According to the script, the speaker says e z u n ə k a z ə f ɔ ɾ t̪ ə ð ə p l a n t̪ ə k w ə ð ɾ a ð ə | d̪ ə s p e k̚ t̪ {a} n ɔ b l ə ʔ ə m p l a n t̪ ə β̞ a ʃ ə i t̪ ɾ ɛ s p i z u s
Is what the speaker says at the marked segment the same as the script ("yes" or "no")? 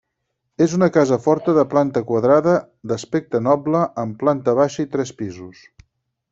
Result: no